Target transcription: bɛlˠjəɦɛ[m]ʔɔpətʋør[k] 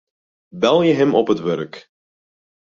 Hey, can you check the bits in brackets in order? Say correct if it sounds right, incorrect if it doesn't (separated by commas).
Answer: correct, correct